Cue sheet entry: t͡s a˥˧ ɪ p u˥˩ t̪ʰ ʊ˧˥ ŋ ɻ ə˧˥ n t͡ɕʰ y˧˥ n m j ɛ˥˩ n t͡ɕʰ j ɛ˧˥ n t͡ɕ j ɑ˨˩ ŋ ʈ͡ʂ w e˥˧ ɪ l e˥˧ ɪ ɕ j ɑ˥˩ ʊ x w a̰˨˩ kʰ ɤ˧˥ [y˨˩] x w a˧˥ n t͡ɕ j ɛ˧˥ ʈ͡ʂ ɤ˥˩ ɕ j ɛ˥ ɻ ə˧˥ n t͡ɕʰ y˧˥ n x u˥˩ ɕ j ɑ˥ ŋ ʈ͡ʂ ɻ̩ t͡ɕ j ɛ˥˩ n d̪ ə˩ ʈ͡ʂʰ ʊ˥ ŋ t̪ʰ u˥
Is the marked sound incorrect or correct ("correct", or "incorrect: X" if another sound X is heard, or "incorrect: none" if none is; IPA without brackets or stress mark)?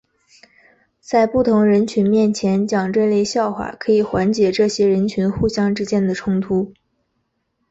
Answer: incorrect: i˨˩